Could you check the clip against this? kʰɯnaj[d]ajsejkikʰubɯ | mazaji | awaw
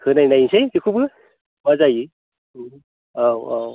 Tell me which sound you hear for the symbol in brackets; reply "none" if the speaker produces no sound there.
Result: n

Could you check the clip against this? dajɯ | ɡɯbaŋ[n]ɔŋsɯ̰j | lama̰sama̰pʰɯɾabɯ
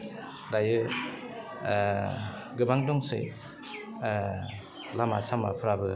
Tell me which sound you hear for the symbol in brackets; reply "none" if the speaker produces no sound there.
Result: d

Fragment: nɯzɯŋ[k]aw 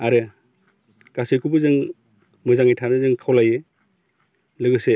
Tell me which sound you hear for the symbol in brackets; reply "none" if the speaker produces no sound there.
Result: kʰ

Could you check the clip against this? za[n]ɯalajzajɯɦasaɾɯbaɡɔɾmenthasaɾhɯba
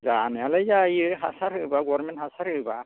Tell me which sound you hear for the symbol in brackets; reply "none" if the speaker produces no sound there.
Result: n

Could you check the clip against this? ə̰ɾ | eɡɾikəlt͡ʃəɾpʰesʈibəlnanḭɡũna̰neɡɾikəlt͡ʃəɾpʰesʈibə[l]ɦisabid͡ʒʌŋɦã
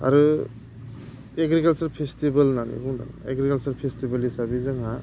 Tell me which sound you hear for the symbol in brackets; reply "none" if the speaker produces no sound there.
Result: l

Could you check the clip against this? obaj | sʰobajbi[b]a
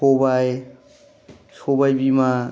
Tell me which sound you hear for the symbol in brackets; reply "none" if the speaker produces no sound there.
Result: m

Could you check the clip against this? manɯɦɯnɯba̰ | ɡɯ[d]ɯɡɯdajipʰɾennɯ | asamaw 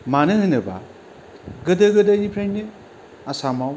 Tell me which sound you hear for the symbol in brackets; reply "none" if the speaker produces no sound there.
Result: d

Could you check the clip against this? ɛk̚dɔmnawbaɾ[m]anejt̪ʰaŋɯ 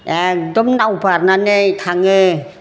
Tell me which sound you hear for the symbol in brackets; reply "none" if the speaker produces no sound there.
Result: n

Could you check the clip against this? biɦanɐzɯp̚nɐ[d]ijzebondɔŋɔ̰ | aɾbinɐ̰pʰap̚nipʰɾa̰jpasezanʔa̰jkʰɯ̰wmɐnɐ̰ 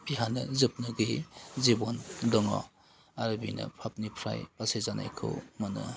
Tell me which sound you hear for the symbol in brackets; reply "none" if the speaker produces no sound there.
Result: ɡ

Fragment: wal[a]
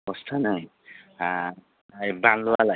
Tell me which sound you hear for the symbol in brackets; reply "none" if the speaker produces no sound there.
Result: a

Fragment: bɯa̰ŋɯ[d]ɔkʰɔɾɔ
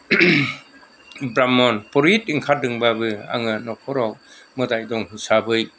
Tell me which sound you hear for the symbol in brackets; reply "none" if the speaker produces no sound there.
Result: n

